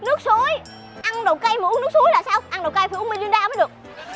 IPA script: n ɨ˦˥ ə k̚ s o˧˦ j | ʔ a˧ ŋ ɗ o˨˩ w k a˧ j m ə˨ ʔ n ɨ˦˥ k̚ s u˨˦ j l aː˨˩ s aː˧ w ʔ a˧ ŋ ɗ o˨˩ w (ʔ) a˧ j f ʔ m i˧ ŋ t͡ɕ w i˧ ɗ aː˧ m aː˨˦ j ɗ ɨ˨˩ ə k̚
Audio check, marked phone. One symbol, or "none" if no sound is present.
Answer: k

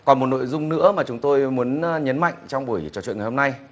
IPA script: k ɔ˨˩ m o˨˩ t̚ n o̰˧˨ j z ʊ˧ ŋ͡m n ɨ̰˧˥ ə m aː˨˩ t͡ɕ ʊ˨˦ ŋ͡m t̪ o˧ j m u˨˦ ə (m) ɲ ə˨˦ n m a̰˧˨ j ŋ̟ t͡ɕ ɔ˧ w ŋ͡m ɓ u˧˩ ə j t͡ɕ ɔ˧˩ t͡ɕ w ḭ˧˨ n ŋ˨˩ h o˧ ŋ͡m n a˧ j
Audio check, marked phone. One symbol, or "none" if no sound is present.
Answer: n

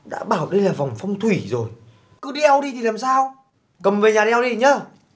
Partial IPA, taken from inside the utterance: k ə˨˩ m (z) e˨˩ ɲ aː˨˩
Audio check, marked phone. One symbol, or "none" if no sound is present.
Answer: v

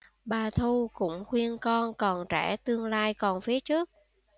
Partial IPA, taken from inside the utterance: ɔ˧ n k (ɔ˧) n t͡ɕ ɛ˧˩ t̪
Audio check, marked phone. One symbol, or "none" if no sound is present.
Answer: ɔ˨˩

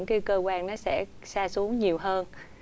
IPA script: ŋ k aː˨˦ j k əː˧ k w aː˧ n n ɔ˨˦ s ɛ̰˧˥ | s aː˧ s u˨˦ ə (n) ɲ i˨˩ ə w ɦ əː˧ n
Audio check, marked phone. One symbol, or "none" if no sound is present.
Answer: ŋ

